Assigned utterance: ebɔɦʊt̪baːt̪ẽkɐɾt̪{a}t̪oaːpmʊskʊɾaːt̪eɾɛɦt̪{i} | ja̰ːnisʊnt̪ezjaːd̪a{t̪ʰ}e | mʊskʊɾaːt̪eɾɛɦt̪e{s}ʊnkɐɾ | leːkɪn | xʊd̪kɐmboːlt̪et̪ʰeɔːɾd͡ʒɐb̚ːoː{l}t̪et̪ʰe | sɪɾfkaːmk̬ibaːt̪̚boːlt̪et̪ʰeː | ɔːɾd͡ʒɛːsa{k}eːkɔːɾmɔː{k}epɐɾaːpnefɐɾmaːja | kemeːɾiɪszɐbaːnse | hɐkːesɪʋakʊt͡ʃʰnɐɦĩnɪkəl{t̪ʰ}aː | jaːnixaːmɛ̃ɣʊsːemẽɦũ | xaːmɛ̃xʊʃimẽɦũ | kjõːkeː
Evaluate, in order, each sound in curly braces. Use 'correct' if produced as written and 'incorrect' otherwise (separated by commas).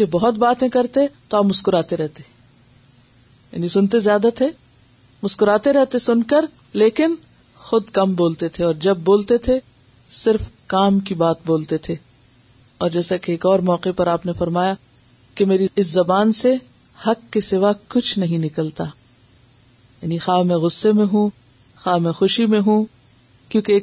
incorrect, incorrect, correct, correct, correct, correct, incorrect, incorrect